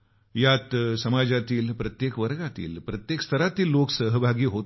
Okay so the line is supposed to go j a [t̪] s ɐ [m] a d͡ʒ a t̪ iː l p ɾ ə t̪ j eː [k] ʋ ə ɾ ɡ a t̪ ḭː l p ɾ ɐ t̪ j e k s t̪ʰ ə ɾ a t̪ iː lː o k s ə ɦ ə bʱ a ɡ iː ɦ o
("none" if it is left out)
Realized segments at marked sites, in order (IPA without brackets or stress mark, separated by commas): t̪, m, k